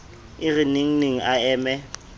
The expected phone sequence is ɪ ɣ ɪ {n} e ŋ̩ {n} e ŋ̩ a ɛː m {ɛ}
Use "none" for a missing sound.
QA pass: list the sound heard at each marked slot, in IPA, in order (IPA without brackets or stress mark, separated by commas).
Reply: n, n, ɛ